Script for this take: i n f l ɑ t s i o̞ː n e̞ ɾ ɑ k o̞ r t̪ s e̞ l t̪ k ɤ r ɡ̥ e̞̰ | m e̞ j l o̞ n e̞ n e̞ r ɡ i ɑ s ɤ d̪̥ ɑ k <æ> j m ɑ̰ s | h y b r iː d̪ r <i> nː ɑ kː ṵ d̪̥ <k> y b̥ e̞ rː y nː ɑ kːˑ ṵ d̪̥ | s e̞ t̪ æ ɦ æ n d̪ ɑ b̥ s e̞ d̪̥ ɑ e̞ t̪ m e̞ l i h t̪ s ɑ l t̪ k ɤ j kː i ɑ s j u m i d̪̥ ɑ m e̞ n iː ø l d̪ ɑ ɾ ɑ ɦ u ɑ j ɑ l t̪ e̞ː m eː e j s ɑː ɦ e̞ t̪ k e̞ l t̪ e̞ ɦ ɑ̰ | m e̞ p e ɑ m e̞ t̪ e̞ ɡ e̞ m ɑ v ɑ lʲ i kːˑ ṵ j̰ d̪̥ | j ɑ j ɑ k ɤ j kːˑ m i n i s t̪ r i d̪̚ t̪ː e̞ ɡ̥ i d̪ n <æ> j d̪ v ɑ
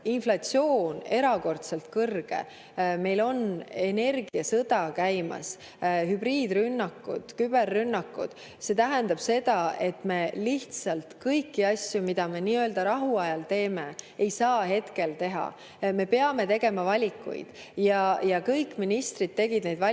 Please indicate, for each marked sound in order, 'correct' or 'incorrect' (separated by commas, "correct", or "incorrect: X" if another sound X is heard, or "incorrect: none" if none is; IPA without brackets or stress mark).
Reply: correct, incorrect: y, correct, incorrect: e